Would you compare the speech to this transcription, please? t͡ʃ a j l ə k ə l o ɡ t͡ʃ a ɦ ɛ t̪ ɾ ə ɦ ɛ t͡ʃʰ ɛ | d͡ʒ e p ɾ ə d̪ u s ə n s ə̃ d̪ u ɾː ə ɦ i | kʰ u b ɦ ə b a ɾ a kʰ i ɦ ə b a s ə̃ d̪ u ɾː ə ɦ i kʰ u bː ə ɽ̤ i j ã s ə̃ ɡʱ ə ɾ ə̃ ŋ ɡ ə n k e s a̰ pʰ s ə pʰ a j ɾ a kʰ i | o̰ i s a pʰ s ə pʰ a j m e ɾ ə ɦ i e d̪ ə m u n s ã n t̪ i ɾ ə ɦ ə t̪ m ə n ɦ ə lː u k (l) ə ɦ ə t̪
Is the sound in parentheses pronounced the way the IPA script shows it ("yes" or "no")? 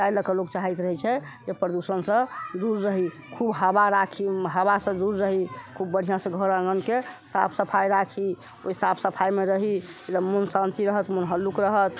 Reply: no